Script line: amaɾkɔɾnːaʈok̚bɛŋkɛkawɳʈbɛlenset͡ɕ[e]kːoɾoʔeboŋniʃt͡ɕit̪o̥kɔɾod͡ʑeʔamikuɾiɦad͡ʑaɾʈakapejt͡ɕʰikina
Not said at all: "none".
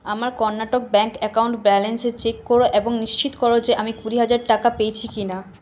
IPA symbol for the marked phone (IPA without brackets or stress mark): e